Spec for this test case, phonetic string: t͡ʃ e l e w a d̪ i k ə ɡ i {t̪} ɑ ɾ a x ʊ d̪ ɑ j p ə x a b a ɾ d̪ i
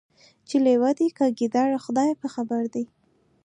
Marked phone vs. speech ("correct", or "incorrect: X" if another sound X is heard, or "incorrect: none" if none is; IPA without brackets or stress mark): incorrect: d̪